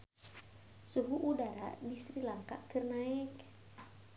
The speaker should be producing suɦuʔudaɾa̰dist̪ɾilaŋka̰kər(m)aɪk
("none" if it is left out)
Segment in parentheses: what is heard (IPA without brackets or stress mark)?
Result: n